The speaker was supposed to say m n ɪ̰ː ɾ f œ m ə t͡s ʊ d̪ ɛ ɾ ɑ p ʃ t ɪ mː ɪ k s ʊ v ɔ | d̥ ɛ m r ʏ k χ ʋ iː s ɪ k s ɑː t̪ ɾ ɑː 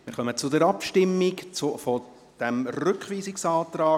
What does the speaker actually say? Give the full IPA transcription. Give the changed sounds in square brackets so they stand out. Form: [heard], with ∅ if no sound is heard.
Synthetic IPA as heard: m [m] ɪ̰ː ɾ [χ] œ m ə t͡s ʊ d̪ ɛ ɾ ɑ p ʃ t ɪ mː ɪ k [t͡s] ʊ [f] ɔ | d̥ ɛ m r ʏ k χ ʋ iː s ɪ k s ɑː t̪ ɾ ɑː